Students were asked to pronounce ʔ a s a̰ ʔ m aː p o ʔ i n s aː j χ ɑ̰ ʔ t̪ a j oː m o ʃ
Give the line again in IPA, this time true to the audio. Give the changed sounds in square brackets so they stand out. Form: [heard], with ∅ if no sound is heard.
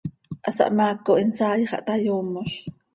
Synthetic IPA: ʔ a s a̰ ʔ m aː [k] o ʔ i n s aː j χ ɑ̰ ʔ t̪ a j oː m o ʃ